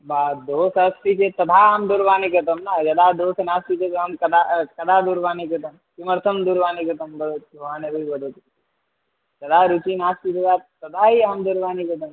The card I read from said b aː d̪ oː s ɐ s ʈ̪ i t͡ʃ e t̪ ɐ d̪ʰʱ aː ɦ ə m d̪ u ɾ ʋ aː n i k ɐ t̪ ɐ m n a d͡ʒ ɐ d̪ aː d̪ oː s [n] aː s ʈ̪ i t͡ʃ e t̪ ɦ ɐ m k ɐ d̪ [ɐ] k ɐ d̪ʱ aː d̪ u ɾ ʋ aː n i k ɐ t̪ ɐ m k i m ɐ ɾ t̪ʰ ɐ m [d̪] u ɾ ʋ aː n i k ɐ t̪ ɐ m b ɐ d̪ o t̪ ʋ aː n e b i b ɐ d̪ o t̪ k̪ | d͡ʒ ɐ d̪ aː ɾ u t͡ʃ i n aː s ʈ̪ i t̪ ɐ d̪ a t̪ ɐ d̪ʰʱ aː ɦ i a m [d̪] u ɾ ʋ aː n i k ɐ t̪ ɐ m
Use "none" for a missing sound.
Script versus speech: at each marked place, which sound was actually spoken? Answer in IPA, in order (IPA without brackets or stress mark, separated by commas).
n, a, d̪, d̪